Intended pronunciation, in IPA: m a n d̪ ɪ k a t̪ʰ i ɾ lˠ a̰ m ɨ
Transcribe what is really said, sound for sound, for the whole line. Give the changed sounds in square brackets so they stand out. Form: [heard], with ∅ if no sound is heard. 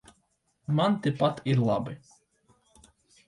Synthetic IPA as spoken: m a n [t̪] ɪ [p] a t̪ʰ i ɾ lˠ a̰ [b] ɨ